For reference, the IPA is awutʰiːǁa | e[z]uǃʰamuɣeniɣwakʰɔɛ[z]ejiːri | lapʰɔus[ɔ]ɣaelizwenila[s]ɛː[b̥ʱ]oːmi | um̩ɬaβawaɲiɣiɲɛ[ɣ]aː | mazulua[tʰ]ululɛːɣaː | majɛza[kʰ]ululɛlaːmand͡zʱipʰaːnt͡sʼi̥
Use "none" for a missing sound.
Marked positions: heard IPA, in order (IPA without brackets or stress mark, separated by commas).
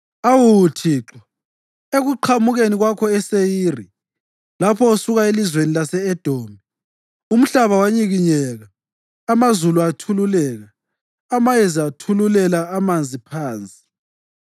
ɣ, s, u, s, d̥ʱ, ɣ, tʰ, tʰ